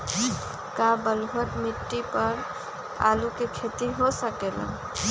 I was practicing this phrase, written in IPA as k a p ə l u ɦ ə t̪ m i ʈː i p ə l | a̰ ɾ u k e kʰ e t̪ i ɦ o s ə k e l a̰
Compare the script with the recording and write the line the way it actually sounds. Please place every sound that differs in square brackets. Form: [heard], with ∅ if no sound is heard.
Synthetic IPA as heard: k a [b] ə l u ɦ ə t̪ m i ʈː i p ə [ɾ] | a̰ [l] u k e kʰ e t̪ i ɦ o s ə k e l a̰